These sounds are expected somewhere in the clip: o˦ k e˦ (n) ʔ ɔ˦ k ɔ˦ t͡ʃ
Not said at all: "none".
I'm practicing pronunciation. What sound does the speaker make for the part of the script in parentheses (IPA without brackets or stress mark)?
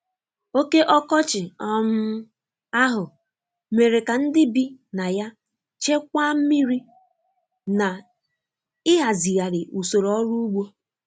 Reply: none